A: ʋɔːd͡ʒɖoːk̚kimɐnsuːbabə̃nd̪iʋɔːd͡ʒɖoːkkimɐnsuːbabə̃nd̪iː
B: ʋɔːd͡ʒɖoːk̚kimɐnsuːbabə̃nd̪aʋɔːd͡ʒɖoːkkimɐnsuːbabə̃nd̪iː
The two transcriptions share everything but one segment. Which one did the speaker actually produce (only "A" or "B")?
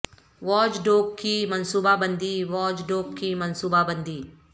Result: A